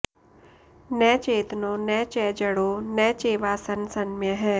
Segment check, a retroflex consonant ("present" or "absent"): present